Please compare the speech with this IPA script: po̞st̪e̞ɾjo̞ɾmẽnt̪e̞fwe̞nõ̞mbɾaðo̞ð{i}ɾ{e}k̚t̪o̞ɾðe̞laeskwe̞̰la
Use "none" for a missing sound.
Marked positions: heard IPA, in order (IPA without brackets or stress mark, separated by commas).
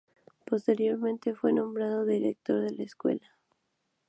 i, e